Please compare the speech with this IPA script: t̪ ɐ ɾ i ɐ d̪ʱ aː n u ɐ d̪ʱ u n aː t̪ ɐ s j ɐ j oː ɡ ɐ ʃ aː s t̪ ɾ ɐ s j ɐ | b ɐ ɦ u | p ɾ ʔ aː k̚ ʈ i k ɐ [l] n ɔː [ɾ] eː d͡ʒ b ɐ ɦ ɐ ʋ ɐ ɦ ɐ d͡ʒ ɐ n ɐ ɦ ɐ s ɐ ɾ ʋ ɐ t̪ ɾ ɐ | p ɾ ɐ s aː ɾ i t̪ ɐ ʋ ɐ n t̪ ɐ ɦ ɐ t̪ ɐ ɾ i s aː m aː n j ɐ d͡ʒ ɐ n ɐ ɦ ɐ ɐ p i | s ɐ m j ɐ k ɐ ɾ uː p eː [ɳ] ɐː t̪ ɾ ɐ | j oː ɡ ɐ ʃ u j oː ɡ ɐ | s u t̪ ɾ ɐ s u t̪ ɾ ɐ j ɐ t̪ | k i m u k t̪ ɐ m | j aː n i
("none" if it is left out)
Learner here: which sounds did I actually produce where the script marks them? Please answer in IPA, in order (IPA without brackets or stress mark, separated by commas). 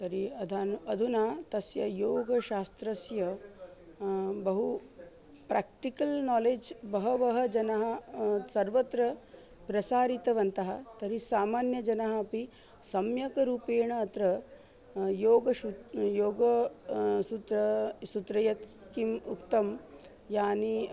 l, l, ɳ